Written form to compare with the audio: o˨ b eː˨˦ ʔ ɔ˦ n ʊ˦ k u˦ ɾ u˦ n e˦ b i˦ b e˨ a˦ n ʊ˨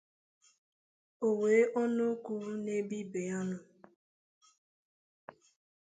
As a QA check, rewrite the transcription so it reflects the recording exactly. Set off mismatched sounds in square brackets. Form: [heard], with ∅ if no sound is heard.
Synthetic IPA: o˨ [w] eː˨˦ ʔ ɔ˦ n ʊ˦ k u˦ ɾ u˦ n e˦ b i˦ b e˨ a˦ n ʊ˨